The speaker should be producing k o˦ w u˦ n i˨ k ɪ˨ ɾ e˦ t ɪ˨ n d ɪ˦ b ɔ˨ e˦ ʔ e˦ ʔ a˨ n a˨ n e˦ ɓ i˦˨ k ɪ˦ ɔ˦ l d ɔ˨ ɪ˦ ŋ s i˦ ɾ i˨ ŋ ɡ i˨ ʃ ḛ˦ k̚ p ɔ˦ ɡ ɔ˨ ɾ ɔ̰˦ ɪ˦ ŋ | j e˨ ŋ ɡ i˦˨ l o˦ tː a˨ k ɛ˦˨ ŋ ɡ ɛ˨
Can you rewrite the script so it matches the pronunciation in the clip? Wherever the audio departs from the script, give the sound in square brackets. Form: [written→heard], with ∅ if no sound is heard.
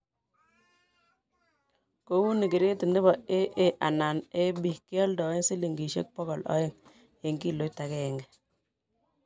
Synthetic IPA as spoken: k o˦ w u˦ n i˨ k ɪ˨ ɾ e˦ t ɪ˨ n d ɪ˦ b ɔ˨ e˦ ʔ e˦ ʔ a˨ n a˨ n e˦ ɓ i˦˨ k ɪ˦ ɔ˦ l d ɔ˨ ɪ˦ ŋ s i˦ [ɾ→l] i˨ ŋ ɡ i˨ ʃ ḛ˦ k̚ p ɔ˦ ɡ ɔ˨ [ɾ→l] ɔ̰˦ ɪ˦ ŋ | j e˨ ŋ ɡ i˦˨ l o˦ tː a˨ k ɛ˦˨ ŋ ɡ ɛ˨